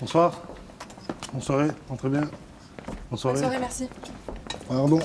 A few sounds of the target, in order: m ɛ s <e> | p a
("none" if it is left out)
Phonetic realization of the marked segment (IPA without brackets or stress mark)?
i